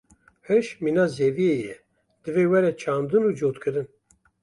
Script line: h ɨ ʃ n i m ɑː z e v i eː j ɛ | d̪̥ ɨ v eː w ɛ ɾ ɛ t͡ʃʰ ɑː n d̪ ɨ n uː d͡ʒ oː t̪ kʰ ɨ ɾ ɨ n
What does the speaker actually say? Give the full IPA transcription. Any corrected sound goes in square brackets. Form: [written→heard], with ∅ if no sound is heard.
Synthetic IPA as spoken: h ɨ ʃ [n→m] i [m→n] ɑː z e v i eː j ɛ | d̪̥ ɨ v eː w ɛ ɾ ɛ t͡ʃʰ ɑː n d̪ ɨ n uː d͡ʒ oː t̪ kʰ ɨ ɾ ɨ n